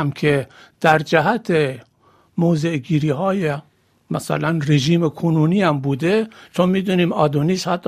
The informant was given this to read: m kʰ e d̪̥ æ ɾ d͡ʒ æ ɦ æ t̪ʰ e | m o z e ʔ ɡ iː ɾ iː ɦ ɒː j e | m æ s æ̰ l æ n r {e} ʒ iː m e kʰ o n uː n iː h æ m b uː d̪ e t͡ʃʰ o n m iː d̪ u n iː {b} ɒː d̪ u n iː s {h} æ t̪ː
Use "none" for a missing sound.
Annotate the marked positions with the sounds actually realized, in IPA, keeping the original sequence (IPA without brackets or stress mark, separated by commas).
e, m, h